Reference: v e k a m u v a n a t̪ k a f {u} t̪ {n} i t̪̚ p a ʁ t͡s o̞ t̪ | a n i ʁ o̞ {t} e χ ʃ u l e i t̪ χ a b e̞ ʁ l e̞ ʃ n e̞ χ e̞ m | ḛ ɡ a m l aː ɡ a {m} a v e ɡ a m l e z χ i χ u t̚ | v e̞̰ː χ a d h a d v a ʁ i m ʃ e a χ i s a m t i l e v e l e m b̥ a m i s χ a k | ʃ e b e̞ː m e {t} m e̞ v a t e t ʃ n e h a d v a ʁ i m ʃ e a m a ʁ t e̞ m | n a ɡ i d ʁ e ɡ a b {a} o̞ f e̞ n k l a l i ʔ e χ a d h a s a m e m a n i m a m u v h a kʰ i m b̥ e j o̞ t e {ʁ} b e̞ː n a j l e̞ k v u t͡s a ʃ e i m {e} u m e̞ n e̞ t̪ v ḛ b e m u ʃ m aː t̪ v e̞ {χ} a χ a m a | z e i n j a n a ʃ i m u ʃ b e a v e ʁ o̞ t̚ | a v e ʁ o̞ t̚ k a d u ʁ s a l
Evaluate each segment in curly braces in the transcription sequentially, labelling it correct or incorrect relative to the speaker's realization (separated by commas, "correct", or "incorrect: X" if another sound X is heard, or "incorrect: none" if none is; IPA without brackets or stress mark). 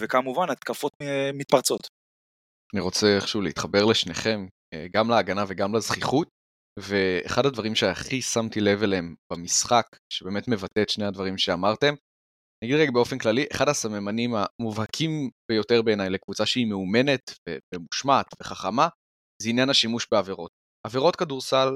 incorrect: o, incorrect: m, incorrect: t͡s, incorrect: n, correct, incorrect: e, correct, correct, correct